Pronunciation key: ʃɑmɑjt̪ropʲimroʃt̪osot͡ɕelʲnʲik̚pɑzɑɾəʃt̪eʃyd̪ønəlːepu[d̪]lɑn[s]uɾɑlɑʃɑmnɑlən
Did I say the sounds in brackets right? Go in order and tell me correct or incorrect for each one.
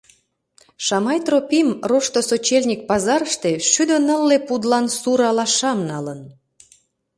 correct, correct

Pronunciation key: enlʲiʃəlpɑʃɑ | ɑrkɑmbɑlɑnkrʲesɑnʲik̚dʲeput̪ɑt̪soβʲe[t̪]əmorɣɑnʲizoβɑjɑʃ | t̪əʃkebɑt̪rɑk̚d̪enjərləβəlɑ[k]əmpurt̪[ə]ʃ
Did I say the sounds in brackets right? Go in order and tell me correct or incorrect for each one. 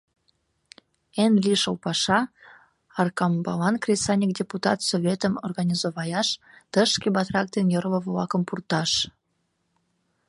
correct, correct, incorrect: ɑ

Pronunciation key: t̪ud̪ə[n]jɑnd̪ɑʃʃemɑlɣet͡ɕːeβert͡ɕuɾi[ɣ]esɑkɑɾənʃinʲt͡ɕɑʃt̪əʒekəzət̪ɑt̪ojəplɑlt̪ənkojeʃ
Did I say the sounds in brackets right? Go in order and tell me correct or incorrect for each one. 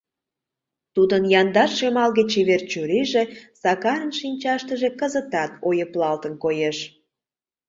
correct, incorrect: ʒ

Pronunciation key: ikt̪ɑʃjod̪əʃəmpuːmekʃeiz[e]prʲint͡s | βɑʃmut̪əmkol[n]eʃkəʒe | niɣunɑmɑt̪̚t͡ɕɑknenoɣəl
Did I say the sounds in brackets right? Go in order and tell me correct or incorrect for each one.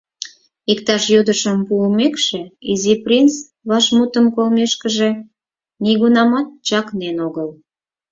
incorrect: i, incorrect: m

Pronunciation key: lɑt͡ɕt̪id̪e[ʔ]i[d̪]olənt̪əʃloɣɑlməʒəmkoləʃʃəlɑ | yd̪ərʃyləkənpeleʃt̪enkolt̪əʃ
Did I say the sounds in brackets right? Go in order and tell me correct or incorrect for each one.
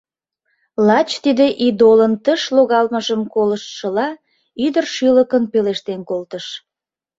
correct, correct

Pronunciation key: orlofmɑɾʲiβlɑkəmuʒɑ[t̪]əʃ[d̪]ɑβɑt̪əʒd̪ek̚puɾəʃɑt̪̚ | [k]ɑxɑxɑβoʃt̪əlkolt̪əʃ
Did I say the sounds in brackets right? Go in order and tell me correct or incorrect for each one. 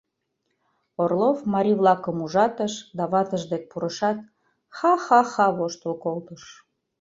correct, correct, incorrect: x

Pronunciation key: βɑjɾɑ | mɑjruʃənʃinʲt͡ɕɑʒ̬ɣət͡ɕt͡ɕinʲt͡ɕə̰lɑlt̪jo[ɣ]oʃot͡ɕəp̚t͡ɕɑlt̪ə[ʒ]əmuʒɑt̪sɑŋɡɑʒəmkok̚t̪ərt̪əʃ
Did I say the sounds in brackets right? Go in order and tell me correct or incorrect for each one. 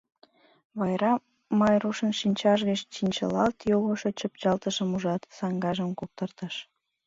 correct, incorrect: ʃ

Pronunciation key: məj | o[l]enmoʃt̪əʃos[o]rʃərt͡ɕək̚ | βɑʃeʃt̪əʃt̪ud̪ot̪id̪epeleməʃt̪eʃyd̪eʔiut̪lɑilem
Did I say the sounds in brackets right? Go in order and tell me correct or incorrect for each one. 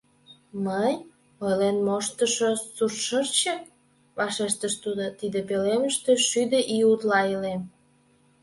correct, incorrect: u

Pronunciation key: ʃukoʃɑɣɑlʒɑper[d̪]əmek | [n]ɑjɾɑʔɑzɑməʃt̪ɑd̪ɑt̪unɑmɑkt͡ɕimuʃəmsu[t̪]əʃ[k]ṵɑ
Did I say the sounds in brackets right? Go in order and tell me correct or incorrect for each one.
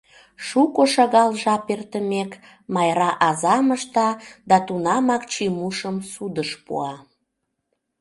incorrect: t̪, incorrect: m, incorrect: d̪, incorrect: p

